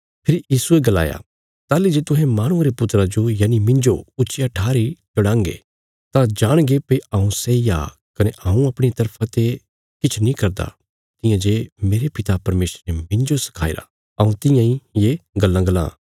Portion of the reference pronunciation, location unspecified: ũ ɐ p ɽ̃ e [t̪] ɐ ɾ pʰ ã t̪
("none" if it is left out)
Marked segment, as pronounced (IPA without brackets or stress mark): t̪